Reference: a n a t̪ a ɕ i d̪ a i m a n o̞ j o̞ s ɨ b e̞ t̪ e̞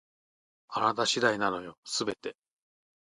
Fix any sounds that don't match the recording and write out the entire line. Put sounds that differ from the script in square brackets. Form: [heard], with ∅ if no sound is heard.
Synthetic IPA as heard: a n a t̪ a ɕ i d̪ a i [n] a n o̞ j o̞ s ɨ b e̞ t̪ e̞